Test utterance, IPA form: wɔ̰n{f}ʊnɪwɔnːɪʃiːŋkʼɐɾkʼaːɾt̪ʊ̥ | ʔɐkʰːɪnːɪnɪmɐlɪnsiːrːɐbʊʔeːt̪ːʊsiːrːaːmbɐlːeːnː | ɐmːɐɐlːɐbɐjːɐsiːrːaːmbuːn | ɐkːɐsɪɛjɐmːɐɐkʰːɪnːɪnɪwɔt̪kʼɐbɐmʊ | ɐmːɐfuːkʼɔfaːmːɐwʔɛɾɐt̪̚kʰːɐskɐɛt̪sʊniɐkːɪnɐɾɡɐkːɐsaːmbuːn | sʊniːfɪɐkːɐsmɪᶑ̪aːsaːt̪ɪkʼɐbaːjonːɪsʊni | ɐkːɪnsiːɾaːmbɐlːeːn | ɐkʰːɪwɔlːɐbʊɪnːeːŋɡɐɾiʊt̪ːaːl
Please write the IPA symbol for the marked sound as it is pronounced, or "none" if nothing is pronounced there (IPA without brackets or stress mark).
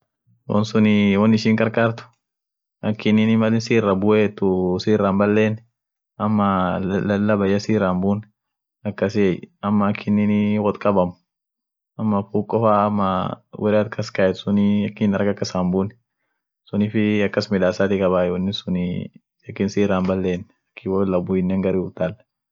s